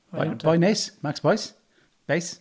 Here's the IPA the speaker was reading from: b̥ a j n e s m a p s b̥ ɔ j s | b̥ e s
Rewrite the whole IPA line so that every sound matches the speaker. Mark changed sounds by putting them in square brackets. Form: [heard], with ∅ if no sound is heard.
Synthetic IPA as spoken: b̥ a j n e s m a [k] s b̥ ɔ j s | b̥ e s